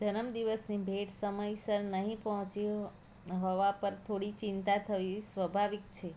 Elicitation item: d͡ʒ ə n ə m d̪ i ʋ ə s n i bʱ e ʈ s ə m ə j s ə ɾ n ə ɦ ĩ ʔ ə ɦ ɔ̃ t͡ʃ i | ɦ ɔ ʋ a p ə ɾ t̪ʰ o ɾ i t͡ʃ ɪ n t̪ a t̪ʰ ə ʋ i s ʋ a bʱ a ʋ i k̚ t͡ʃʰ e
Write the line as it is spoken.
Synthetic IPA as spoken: d͡ʒ ə n ə m d̪ i ʋ ə s n i bʱ e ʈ s ə m ə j s ə ɾ n ə ɦ ĩ p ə ɦ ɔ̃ t͡ʃ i | ɦ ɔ ʋ a p ə ɾ t̪ʰ o ɽ i t͡ʃ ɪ n t̪ a t̪ʰ ə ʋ i s ʋ ə bʱ a ʋ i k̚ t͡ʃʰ e